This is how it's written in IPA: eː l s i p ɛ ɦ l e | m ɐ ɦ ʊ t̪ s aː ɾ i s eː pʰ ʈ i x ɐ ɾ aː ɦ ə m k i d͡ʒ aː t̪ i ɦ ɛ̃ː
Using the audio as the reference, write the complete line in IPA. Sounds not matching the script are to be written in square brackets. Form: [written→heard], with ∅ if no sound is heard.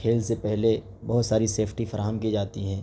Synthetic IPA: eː l s [i→e] p ɛ ɦ l e | [m→b] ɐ ɦ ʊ t̪ s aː ɾ i s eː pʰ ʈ i [x→f] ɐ ɾ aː ɦ ə m k i d͡ʒ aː t̪ i ɦ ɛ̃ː